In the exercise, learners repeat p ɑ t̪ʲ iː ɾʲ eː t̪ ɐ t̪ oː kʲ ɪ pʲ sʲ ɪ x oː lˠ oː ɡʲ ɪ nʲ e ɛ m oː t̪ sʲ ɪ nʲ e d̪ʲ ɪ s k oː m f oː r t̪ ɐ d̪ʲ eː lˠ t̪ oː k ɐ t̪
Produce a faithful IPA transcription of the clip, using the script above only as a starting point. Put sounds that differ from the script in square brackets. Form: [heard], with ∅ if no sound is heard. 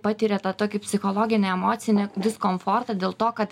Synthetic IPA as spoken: p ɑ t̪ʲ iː ɾʲ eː t̪ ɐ t̪ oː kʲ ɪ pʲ sʲ ɪ x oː lˠ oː ɡʲ ɪ nʲ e ɛ m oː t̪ sʲ ɪ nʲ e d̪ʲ ɪ s k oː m f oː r t̪ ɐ d̪ʲ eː lˠ t̪ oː k ɐ t̪